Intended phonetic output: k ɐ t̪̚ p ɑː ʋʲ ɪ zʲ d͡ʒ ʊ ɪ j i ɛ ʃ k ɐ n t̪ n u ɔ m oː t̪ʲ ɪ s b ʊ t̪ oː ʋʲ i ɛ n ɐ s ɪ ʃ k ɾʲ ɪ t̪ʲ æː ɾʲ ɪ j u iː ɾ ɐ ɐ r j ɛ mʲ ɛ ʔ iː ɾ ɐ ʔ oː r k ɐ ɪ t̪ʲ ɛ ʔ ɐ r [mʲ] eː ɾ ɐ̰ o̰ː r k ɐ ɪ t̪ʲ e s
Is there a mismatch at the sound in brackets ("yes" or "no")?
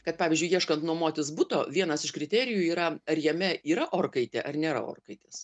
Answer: yes